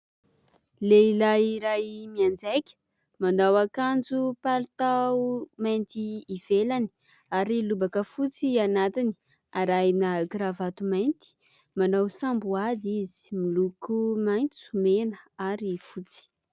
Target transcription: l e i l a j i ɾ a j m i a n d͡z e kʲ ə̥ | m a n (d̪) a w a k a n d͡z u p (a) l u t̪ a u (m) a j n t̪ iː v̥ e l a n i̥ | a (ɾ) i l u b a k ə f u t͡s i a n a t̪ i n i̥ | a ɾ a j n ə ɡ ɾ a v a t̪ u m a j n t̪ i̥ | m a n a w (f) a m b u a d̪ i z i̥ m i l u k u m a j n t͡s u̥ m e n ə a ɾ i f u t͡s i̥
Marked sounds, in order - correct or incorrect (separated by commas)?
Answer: correct, correct, correct, correct, incorrect